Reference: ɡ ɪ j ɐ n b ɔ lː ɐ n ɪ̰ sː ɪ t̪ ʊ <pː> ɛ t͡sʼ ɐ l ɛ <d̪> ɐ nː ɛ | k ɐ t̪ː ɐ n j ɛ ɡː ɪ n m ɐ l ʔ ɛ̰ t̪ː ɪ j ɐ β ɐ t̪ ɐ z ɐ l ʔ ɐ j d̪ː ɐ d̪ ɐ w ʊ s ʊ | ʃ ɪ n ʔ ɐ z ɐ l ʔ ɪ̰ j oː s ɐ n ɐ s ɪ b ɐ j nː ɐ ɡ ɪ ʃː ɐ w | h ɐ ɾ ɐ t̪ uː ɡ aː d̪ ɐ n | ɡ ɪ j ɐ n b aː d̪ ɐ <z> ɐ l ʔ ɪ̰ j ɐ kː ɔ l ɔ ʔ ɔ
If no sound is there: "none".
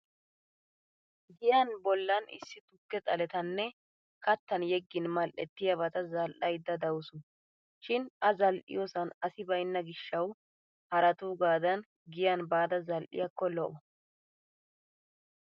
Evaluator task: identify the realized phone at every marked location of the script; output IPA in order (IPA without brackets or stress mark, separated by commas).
kː, t̪, z